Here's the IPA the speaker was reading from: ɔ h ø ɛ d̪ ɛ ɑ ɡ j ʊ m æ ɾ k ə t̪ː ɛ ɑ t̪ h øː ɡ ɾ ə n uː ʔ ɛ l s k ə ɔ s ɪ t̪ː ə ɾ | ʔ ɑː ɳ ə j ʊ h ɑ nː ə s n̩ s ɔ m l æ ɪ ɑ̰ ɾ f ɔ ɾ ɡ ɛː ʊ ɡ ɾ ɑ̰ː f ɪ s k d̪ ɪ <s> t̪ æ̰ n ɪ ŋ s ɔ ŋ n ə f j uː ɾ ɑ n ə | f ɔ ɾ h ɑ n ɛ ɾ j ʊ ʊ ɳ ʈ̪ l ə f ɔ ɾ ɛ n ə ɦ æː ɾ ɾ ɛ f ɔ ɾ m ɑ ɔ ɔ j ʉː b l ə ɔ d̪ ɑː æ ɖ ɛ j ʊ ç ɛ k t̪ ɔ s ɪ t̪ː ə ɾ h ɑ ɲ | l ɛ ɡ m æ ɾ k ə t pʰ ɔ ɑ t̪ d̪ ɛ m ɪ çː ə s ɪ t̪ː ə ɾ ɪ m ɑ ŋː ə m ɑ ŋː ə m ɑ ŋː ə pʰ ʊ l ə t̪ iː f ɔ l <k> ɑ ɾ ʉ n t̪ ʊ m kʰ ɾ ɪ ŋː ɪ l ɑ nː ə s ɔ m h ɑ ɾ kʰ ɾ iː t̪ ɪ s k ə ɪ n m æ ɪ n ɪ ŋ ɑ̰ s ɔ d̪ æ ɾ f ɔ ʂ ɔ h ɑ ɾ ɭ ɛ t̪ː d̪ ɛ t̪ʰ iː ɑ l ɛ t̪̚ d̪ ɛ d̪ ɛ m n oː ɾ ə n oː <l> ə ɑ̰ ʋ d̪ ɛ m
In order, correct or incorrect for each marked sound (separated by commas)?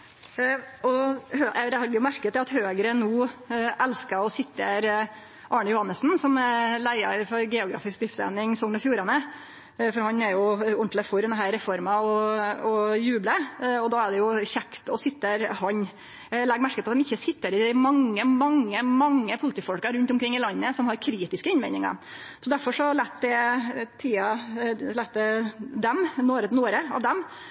incorrect, correct, incorrect